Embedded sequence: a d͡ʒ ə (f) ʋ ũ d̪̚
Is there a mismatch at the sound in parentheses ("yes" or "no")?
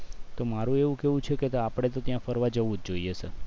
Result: yes